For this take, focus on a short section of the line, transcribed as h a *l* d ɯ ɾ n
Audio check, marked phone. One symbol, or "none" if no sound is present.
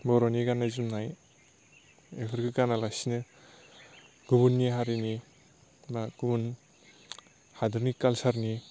none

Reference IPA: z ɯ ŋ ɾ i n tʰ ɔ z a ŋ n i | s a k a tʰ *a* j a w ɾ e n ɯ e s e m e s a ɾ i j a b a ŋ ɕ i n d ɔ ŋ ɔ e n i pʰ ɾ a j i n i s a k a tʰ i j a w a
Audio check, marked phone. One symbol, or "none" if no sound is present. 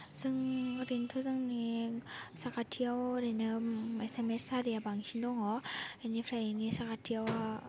i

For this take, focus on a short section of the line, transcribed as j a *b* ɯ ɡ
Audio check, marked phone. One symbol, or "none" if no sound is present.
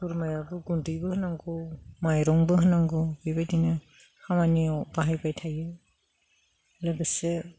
b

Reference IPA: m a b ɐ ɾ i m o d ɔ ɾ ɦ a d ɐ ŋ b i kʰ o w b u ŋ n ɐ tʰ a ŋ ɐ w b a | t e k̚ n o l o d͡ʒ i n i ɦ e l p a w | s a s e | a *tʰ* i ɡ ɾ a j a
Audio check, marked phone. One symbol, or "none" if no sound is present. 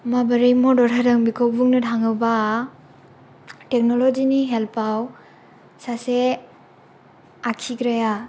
kʰ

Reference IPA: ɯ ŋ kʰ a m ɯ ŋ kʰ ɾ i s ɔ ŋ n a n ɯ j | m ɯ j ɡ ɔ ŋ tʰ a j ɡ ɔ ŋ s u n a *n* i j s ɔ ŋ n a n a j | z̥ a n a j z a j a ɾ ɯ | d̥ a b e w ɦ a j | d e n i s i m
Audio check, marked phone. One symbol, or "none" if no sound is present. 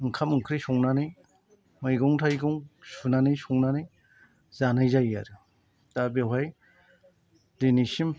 n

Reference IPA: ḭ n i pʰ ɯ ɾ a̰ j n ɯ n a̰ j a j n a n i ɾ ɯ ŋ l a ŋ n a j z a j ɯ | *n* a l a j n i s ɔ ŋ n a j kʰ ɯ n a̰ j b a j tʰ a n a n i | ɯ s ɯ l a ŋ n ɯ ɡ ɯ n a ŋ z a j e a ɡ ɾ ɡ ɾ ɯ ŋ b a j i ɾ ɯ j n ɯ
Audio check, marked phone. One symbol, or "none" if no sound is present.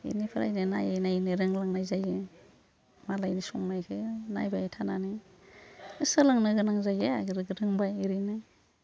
m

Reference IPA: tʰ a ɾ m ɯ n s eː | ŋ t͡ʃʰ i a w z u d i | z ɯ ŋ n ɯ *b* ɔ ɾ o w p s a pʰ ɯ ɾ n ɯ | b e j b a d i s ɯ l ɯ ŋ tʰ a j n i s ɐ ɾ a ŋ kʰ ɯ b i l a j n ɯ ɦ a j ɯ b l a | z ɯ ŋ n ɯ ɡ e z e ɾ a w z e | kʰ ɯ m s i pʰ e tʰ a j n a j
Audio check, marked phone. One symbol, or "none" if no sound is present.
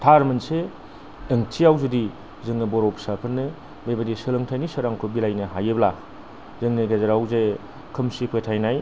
b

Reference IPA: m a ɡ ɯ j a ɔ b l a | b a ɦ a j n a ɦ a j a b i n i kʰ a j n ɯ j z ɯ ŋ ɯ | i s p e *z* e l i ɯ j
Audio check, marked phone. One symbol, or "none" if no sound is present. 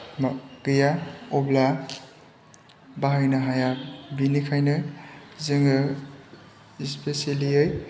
s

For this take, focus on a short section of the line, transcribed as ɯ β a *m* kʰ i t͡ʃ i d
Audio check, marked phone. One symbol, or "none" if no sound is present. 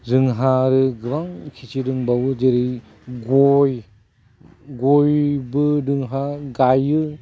ŋ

